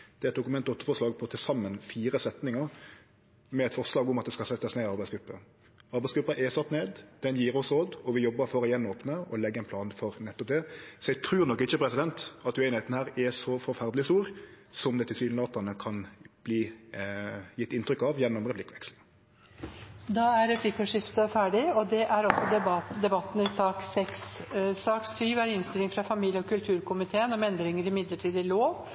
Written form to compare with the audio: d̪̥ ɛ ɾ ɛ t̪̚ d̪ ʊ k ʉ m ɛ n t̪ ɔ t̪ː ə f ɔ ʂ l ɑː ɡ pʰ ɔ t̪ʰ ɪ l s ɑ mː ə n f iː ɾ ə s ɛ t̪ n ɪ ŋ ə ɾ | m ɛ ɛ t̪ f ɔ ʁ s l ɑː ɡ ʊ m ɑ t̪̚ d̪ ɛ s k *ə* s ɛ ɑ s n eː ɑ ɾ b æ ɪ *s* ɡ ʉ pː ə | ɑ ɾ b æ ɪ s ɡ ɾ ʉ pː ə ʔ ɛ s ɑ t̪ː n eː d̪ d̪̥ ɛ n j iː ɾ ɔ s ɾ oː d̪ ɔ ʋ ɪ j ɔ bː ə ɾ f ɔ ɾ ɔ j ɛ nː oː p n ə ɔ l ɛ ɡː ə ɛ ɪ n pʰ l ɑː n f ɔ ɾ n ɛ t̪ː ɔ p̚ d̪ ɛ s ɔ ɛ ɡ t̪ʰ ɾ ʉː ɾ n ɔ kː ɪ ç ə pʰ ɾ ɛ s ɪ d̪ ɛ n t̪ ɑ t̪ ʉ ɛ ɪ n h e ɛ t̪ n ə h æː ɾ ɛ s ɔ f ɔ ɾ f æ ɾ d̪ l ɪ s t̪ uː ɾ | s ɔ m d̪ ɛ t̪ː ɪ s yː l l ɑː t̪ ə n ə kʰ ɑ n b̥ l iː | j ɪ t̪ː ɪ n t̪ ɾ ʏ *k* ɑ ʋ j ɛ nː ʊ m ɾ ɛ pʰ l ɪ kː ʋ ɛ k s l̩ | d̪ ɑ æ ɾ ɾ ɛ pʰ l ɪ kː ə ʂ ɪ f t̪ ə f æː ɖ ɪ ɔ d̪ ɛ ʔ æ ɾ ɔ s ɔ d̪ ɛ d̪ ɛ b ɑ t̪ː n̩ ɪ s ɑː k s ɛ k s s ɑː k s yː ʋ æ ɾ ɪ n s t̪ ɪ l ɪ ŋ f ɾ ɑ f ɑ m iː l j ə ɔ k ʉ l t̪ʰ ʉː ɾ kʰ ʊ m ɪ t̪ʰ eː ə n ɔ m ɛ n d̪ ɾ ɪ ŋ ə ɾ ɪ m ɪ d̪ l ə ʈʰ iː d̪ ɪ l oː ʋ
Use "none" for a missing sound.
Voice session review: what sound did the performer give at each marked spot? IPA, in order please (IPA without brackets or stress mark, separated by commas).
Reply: ɑ, s, k